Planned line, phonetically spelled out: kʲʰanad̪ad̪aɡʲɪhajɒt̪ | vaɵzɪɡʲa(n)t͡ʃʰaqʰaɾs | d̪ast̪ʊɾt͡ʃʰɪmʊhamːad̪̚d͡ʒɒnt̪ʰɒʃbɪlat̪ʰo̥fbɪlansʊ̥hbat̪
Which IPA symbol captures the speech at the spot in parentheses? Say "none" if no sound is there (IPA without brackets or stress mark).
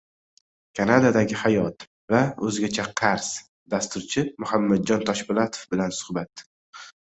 none